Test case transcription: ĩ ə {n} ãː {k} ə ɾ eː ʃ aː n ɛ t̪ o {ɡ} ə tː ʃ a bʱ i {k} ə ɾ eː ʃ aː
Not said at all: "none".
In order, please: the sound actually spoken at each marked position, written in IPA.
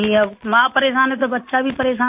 m, p, b, p

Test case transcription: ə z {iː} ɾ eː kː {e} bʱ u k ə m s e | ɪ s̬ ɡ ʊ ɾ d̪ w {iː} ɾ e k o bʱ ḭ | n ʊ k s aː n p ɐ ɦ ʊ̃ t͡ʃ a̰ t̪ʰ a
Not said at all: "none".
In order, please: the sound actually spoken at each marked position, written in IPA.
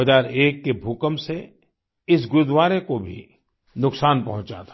aː, e, aː

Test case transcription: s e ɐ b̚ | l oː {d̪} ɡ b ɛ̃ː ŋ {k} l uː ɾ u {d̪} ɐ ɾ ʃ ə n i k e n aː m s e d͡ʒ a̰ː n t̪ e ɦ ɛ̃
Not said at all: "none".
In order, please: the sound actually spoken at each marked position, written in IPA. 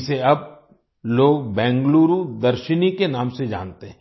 none, ɡ, d̪

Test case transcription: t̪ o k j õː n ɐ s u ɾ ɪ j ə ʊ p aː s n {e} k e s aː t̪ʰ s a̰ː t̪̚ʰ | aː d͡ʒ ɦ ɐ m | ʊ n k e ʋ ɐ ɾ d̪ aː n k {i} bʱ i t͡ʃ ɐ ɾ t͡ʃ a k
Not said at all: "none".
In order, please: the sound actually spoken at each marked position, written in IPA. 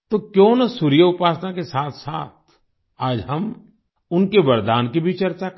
a, i

